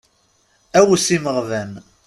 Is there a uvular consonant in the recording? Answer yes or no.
yes